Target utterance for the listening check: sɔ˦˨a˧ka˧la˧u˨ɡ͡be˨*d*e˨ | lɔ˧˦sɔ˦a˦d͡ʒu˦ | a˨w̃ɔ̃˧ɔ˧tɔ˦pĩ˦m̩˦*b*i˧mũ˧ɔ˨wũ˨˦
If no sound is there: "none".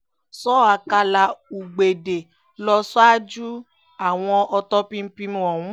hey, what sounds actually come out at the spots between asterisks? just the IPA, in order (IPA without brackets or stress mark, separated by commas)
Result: d, p